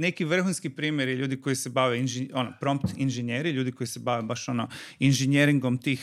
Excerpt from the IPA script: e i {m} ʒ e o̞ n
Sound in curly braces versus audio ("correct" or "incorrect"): incorrect